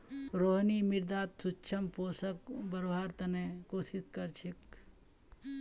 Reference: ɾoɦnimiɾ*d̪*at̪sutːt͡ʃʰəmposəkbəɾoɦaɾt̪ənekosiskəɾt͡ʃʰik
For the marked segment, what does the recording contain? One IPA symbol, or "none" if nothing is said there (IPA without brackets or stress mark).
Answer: d̪